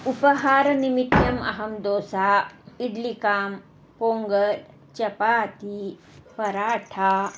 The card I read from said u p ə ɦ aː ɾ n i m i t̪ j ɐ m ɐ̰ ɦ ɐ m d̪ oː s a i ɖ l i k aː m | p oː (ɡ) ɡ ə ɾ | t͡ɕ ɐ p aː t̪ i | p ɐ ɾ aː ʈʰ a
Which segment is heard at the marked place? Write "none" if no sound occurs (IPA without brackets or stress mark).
ŋ